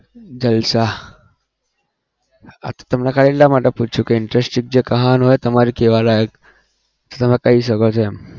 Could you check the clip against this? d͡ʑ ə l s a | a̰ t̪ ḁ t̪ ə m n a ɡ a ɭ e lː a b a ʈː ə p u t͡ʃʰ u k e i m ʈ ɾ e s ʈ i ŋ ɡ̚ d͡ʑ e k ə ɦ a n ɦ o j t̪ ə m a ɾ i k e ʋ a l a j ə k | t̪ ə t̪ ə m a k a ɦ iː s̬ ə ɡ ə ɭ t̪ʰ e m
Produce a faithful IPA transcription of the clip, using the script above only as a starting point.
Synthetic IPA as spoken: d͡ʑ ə l s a | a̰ t̪ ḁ t̪ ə m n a k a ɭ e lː a m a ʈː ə p u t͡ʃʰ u k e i ɳ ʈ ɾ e s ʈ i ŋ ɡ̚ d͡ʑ e k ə ɦ a n ɦ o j t̪ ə m a ɾ i k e ʋ a l a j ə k | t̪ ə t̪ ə m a k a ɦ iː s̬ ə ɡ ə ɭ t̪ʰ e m